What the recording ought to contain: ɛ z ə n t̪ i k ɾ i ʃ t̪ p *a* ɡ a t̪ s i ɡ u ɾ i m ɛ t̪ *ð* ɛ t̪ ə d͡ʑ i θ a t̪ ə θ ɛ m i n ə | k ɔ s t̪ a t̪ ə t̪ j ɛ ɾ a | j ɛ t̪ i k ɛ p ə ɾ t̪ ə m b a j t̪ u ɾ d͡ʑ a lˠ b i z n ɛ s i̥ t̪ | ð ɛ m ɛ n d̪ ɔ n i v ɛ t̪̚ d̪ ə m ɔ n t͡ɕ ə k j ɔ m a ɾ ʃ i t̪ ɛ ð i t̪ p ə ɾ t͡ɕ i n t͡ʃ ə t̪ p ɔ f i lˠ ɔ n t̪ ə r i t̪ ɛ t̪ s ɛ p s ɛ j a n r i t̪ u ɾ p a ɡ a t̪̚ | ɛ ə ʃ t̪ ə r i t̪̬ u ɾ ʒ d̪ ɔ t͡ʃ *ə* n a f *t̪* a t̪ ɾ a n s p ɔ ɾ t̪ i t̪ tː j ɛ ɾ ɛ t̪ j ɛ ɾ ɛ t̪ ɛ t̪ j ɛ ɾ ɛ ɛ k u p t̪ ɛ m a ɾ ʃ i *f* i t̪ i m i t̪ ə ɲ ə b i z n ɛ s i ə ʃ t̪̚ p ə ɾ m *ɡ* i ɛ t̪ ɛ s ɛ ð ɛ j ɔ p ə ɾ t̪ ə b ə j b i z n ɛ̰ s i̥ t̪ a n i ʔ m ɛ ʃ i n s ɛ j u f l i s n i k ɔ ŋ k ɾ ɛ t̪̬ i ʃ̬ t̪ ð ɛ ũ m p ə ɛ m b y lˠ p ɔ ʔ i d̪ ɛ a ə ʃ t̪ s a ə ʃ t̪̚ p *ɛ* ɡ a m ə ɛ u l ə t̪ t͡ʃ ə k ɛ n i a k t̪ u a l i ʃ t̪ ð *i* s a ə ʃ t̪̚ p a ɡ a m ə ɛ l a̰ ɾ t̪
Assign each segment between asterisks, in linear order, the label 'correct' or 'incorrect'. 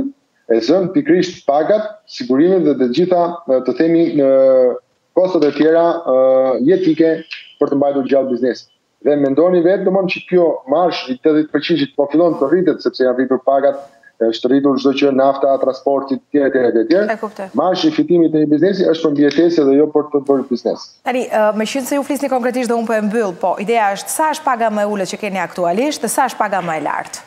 correct, correct, correct, correct, correct, incorrect, incorrect, incorrect

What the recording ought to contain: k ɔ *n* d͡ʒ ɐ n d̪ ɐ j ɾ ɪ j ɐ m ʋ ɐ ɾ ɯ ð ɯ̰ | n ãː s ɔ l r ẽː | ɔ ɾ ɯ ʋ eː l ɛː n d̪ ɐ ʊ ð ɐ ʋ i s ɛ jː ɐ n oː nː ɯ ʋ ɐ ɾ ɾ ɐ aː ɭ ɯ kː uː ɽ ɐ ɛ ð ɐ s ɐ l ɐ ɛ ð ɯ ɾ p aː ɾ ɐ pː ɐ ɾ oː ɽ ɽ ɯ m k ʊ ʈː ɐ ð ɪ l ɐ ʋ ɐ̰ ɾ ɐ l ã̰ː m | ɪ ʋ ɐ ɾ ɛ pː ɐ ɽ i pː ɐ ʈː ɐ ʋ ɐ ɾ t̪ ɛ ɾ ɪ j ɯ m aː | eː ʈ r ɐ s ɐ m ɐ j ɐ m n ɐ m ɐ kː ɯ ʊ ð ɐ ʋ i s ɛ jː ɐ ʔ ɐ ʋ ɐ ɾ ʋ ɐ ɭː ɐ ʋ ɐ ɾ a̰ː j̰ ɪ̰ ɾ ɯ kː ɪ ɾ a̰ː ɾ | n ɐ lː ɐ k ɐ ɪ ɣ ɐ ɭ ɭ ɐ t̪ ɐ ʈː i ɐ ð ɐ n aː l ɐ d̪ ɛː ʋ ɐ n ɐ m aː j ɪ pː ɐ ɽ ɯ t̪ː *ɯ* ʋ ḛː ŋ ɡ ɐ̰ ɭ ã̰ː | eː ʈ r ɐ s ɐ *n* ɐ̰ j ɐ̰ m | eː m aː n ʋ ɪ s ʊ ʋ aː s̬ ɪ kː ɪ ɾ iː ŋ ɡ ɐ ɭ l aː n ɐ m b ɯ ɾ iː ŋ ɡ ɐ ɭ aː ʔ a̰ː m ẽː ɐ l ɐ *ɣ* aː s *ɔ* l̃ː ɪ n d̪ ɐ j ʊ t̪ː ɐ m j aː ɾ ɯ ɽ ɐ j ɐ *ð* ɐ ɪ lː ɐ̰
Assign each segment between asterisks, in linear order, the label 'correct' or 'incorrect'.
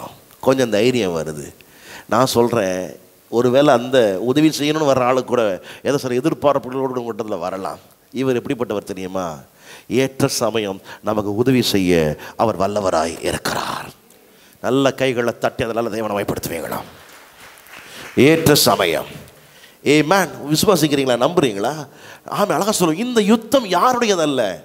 incorrect, correct, incorrect, correct, correct, correct

